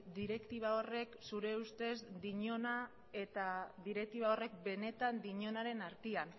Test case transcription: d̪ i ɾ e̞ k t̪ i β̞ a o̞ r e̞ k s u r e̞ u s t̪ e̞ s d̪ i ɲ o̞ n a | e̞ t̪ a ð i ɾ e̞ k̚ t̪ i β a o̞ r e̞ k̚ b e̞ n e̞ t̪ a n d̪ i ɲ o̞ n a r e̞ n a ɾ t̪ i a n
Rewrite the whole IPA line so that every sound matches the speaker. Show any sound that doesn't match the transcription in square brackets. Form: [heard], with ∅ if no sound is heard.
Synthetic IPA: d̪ i ɾ e̞ k t̪ i β̞ a o̞ r e̞ k s u [ɾ] e̞ u s t̪ e̞ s d̪ i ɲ o̞ n a | e̞ t̪ a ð i ɾ e̞ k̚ t̪ i β a o̞ r e̞ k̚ b e̞ n e̞ t̪ a n d̪ i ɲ o̞ n a [ɾ] e̞ n a ɾ t̪ i a n